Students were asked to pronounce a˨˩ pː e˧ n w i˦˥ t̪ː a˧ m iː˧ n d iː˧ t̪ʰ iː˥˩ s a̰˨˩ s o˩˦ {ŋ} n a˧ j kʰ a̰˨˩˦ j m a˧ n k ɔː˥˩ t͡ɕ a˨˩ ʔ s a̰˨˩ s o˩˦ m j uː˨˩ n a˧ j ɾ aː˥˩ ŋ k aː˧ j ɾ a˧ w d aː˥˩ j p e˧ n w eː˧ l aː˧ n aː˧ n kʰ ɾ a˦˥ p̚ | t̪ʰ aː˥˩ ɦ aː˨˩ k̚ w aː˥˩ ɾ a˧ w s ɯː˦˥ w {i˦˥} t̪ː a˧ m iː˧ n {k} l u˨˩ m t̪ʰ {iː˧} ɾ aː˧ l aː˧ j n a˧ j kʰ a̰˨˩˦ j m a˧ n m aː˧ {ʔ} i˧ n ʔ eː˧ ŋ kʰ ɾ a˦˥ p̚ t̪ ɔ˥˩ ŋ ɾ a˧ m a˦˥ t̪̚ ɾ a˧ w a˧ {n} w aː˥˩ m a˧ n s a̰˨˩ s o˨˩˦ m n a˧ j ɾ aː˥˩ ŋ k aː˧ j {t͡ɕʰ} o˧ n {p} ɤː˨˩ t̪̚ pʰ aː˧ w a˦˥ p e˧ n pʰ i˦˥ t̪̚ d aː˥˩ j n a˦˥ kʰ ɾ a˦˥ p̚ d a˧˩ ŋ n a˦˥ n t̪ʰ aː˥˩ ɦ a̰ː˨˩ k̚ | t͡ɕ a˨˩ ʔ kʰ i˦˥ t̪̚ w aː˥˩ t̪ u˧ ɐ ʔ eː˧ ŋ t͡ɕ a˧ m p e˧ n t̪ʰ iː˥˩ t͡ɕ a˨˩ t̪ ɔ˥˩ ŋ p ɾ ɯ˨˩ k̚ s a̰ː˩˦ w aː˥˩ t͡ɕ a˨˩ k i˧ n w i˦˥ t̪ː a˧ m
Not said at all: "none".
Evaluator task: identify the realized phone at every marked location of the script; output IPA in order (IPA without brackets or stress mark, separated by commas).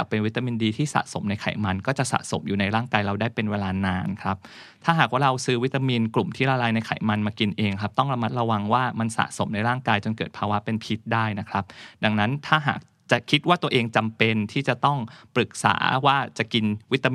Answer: m, i˦˥, k, iː˥˩, k, ŋ, t͡ɕ, k